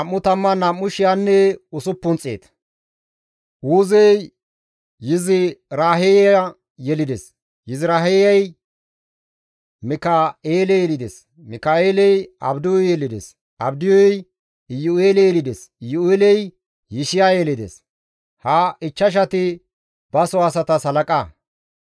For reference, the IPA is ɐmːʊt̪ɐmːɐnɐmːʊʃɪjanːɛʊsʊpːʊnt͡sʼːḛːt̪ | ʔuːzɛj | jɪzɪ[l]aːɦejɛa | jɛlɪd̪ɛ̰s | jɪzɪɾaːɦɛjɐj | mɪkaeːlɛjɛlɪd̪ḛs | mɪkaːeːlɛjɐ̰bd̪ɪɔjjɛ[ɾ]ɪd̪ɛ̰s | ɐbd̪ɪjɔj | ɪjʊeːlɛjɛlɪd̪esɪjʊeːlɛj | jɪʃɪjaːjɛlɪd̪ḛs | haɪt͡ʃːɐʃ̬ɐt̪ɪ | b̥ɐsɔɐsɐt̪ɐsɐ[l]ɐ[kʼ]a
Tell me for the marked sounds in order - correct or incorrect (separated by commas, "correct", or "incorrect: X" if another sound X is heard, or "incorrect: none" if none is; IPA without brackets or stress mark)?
incorrect: ɾ, incorrect: l, correct, correct